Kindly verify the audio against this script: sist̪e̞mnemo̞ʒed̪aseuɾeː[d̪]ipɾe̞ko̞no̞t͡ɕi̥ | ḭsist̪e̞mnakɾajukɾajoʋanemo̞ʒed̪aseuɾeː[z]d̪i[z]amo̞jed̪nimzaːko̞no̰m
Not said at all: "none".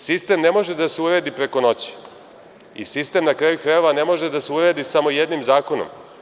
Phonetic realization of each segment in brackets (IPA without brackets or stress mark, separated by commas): d̪, none, s